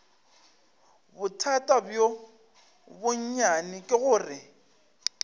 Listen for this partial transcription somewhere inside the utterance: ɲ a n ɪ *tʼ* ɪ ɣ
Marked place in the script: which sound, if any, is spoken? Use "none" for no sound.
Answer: kʼ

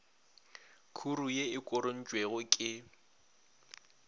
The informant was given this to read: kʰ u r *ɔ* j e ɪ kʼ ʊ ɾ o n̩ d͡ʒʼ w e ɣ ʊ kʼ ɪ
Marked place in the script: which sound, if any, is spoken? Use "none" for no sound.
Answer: u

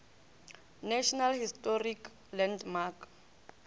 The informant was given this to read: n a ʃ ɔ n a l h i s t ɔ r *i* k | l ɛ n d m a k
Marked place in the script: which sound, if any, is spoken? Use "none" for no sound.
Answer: i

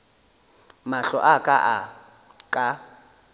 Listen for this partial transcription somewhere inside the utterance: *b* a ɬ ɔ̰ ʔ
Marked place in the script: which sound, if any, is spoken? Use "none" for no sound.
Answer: m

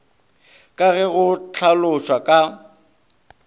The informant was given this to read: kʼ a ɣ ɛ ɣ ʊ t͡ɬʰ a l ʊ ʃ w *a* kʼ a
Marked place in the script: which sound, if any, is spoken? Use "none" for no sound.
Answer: a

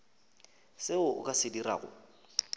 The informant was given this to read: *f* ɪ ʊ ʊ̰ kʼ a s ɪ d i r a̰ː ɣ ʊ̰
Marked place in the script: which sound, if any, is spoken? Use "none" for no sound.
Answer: s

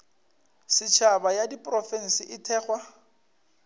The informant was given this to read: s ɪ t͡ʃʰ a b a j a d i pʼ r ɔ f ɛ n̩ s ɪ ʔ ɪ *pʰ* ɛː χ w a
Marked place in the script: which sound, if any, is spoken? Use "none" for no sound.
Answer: tʰ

